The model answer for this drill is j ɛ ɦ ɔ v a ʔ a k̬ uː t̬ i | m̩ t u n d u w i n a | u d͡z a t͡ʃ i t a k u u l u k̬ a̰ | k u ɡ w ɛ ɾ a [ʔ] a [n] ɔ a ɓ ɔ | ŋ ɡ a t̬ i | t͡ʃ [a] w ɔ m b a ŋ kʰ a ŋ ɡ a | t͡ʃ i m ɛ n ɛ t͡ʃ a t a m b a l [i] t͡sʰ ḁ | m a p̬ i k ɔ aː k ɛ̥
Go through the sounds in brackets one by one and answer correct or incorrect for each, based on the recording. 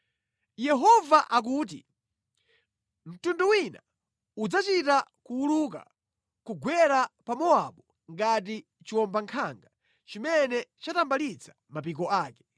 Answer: incorrect: p, incorrect: m, incorrect: i, correct

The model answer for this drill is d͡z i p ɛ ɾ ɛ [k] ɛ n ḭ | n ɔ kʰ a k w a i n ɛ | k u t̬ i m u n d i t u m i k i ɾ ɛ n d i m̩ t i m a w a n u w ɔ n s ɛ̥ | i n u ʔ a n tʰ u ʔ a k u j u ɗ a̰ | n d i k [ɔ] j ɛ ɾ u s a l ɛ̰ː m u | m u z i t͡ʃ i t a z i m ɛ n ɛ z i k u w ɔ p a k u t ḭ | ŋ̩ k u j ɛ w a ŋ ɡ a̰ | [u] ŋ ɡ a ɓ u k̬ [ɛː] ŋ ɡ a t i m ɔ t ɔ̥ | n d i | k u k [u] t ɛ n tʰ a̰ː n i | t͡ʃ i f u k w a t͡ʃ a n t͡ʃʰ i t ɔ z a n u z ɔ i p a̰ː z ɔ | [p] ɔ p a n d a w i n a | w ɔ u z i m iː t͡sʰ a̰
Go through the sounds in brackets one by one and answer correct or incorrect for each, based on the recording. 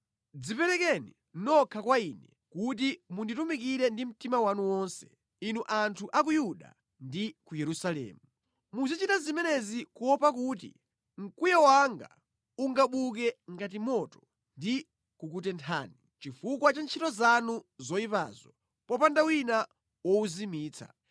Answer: correct, incorrect: u, correct, incorrect: ɛ, correct, correct

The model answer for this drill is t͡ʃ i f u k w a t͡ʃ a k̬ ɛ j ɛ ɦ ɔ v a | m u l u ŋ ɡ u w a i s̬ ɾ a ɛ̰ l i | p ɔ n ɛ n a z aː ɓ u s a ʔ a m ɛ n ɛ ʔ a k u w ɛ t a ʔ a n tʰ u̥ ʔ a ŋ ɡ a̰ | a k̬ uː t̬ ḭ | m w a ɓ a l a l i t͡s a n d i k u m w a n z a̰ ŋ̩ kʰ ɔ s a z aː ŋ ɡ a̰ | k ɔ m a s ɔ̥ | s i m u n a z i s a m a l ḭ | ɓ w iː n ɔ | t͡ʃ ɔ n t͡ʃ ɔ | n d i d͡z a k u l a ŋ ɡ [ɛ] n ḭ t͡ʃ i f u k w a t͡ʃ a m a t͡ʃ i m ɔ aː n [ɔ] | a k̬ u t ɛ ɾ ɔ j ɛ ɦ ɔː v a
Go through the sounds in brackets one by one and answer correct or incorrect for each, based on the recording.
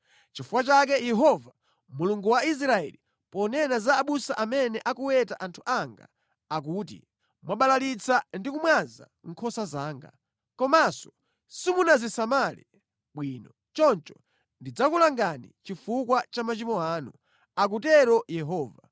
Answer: incorrect: a, incorrect: u

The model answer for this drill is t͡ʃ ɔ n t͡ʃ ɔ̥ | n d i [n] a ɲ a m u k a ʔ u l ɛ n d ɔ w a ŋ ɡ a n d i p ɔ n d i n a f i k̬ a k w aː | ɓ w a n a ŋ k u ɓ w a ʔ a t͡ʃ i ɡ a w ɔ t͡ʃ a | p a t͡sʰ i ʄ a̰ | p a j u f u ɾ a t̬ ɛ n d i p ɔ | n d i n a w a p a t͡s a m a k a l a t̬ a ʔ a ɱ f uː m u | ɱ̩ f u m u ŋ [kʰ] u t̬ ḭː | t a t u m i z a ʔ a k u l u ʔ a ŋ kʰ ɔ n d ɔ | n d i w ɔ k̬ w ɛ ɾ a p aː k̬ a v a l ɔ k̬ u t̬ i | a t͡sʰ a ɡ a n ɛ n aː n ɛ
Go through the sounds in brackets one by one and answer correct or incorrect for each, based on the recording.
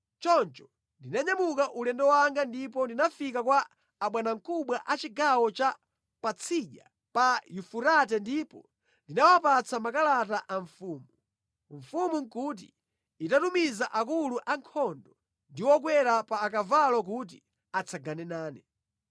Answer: correct, incorrect: k

